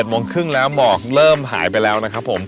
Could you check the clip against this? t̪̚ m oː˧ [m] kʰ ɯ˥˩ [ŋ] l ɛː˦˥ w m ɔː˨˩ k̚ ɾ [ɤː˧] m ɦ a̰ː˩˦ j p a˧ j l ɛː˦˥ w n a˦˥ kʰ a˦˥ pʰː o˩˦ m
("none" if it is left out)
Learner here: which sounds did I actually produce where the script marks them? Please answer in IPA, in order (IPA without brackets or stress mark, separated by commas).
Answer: ŋ, ŋ, ɤː˥˩